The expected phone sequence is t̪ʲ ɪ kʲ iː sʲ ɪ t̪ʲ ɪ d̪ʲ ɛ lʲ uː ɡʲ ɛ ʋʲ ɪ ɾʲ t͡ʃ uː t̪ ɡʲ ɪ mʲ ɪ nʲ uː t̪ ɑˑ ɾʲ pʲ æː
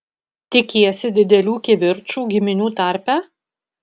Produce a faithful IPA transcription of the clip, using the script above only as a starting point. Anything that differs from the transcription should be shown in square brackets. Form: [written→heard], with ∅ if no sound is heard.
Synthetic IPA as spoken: t̪ʲ ɪ kʲ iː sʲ ɪ [t̪ʲ→d̪ʲ] ɪ d̪ʲ ɛ lʲ uː [ɡʲ→kʲ] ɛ ʋʲ ɪ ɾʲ t͡ʃ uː [t̪→∅] ɡʲ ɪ mʲ ɪ nʲ uː t̪ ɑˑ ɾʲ pʲ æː